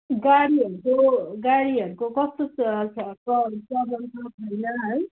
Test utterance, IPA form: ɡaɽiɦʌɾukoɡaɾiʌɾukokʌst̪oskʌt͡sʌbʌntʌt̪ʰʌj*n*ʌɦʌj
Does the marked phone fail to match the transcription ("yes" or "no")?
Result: no